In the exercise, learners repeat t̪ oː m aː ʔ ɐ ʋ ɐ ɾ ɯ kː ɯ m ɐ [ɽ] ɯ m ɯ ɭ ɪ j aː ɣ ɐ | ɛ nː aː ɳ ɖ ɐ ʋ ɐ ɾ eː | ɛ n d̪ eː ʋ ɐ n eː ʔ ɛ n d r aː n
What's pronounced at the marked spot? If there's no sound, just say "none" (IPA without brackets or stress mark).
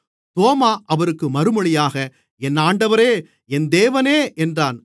ɾ